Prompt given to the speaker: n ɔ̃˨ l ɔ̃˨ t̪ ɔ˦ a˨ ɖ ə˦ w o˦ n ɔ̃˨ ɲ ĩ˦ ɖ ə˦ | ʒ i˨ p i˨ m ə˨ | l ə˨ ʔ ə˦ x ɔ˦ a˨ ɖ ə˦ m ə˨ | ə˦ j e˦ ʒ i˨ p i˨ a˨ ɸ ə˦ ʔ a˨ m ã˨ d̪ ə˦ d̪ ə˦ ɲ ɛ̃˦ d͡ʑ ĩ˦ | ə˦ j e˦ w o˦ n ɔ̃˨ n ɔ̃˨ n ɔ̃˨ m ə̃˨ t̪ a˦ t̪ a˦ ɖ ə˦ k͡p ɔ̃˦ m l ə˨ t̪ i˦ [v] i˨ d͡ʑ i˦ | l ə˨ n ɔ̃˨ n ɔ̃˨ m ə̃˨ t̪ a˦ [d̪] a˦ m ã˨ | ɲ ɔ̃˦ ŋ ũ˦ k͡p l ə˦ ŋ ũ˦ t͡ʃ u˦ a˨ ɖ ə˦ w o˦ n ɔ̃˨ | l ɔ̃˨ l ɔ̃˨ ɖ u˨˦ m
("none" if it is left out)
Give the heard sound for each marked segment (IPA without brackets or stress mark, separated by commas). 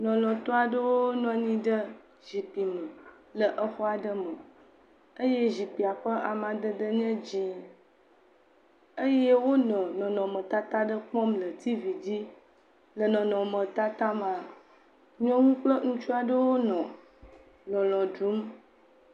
v, t̪